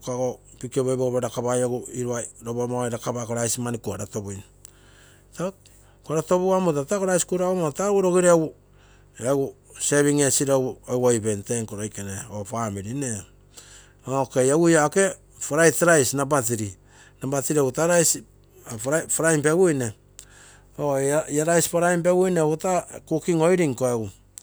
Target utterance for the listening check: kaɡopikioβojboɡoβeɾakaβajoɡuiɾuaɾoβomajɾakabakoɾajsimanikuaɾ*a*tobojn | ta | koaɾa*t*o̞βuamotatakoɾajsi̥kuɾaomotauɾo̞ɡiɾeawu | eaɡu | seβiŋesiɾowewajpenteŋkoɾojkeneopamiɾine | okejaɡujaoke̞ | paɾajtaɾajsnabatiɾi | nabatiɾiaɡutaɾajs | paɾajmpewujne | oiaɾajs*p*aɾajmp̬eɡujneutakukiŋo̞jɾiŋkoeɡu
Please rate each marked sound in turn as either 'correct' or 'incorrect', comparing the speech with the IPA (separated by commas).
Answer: correct, correct, correct